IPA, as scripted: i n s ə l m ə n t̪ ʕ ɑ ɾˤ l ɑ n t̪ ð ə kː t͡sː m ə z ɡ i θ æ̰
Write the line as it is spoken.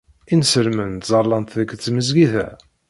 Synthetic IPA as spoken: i n s ə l m ə n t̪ z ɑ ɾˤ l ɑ n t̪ ð ə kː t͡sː m ə z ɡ i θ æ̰